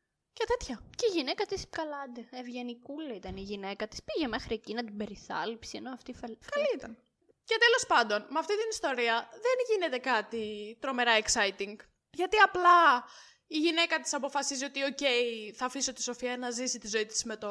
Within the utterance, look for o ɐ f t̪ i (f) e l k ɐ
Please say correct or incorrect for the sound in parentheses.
correct